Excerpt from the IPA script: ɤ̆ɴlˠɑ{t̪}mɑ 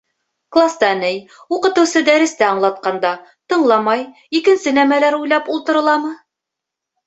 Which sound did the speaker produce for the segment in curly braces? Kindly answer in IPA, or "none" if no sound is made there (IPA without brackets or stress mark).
none